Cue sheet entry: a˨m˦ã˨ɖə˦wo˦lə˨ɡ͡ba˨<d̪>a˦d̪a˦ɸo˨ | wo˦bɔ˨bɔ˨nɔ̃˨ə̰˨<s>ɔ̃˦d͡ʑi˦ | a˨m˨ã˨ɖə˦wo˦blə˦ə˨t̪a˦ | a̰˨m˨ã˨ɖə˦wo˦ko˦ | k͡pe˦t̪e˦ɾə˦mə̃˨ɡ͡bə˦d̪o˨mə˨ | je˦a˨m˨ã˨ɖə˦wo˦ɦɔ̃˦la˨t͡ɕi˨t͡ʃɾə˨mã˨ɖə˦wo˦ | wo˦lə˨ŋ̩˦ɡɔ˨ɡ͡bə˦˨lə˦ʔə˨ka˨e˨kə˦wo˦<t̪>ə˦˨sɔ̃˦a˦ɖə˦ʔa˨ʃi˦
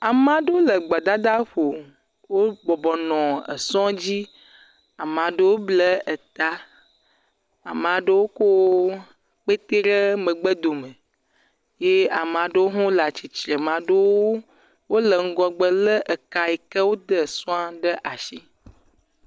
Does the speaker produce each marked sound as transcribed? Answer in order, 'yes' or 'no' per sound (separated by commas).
yes, yes, no